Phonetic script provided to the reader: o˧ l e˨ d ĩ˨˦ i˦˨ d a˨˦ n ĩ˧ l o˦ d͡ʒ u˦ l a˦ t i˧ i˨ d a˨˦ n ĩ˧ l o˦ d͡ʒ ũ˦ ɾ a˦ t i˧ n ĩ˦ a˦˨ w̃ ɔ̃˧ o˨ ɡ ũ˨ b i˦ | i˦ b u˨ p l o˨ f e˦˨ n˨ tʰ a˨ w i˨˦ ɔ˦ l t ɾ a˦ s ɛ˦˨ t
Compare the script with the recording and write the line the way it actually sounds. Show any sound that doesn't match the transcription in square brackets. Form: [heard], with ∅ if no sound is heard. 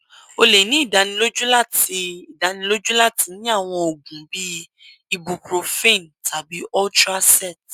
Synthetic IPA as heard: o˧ l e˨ [n] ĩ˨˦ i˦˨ d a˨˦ n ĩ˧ l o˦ d͡ʒ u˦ l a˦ t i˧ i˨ d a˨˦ n ĩ˧ l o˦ d͡ʒ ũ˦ [l] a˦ t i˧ n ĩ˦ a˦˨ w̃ ɔ̃˧ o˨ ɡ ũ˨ b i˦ | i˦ b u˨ p [ɾ] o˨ f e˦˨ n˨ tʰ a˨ [b] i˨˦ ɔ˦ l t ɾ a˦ s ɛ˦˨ t